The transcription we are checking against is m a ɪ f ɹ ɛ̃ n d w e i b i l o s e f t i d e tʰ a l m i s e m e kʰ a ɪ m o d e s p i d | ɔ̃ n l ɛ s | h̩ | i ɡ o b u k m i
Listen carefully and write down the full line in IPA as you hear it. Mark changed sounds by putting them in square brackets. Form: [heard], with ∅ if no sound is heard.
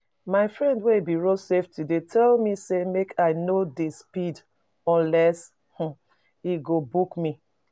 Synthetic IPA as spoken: m a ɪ f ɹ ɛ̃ n d w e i b i [ɹ] o s e f t i d e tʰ [ɛ] l m i s e m e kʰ a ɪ [n] o d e s p i d | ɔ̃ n l ɛ s | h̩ | i ɡ o b u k m i